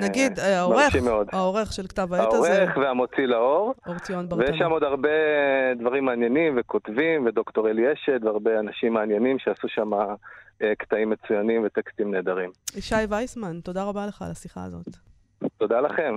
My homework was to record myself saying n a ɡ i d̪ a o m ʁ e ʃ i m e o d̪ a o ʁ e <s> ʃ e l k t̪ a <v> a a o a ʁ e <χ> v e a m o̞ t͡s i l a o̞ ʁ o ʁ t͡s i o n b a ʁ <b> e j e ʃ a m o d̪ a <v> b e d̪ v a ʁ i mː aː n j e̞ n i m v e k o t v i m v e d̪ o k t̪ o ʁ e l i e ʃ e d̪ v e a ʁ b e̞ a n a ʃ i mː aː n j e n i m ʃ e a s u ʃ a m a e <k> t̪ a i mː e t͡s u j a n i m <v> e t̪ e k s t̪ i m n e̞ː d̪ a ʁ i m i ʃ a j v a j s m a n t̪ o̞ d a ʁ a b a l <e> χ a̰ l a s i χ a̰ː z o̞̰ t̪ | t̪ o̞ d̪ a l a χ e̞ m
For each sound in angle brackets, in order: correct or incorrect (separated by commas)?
incorrect, correct, correct, incorrect, incorrect, correct, correct, correct